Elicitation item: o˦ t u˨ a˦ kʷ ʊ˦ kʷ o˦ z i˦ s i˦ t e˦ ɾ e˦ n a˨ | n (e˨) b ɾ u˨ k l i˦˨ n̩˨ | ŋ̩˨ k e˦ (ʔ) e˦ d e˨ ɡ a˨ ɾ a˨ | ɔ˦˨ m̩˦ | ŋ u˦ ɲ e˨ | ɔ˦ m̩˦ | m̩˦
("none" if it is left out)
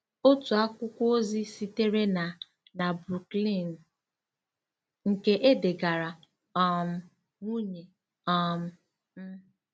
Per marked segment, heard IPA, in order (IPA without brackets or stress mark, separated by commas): a˨, ʔ